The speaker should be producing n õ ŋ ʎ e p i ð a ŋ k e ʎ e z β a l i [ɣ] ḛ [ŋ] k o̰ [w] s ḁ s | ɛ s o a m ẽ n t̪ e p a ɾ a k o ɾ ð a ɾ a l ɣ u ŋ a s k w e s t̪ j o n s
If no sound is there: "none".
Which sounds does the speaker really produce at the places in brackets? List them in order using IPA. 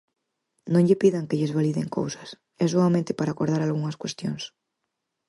ð, ŋ, w

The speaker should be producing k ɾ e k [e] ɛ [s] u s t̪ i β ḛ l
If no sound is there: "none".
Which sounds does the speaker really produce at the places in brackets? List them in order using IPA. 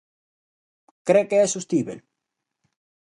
e, s

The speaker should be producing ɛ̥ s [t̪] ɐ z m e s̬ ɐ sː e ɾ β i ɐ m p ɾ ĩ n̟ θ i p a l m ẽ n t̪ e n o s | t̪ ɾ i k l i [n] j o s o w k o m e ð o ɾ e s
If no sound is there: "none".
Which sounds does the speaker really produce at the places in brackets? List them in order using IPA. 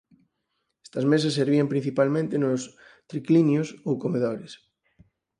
t̪, n

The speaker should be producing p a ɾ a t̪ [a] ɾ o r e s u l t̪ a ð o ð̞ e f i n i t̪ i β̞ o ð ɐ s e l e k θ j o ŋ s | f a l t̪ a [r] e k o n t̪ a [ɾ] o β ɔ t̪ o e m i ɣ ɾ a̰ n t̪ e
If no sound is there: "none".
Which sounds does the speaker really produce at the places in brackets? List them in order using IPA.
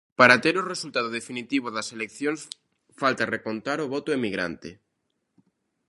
e, r, ɾ

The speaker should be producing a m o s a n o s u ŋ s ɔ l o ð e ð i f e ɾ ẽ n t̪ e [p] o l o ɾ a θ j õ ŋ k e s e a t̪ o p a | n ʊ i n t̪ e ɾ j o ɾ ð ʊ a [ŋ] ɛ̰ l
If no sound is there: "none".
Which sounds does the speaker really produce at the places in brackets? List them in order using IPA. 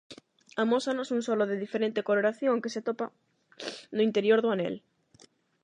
k, n

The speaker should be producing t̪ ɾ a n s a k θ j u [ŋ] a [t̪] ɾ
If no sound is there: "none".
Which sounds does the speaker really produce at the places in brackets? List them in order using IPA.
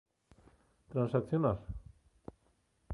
n, none

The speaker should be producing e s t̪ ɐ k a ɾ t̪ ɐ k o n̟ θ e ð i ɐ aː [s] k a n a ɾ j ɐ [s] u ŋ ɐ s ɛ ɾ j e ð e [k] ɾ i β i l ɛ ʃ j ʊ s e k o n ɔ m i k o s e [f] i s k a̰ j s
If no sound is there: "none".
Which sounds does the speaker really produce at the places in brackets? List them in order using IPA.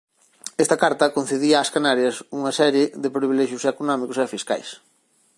s, s, p, f

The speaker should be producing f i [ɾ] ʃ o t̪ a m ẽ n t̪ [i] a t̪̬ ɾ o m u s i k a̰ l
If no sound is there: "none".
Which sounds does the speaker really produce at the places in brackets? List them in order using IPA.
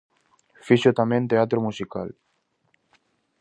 none, e

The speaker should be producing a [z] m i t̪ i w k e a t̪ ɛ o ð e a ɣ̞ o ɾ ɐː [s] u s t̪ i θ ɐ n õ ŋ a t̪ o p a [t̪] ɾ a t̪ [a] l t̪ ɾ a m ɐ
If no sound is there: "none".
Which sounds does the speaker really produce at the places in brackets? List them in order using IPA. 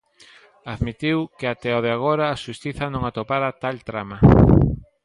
ð, ʃ, none, a

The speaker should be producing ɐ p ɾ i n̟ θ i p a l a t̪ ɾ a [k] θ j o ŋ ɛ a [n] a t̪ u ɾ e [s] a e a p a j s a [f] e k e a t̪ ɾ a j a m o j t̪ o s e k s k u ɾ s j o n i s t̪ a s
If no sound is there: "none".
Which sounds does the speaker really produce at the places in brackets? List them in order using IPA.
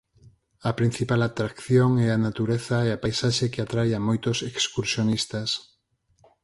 k, n, θ, ʃ

